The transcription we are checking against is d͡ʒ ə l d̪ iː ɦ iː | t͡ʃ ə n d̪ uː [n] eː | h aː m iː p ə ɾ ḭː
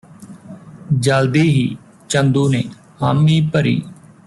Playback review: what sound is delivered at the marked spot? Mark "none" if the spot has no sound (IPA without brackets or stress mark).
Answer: n